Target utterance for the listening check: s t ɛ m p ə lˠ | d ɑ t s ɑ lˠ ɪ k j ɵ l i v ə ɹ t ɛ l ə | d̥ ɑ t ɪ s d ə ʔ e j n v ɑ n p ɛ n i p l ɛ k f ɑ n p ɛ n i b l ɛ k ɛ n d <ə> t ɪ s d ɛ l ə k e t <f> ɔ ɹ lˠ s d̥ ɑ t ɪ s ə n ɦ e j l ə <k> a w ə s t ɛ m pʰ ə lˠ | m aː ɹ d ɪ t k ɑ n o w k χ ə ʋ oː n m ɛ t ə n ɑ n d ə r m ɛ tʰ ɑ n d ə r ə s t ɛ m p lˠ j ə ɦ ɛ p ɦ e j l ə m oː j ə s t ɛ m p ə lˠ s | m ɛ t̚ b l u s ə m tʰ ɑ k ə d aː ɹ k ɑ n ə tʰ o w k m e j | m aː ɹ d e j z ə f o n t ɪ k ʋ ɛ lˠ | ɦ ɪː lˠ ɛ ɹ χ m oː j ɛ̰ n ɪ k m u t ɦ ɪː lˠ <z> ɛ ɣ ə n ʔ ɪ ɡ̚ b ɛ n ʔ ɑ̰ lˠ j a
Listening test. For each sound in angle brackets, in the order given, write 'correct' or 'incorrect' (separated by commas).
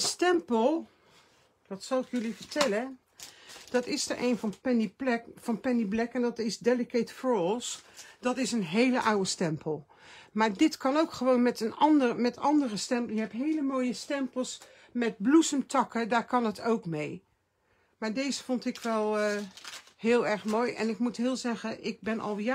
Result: incorrect, correct, incorrect, correct